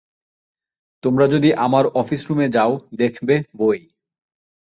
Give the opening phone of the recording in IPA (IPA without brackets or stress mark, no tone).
t̪